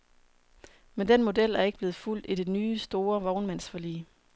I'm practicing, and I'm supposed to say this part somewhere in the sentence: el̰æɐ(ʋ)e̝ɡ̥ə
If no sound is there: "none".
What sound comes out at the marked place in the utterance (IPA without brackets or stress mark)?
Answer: none